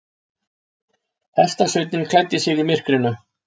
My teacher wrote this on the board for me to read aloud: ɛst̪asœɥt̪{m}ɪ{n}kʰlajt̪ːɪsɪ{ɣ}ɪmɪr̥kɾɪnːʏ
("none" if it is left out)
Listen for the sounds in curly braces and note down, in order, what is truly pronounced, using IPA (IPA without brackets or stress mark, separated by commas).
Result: n, n, ɣ